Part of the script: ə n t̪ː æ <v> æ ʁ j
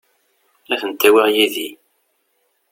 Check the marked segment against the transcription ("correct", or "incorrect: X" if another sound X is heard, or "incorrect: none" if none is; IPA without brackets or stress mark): incorrect: w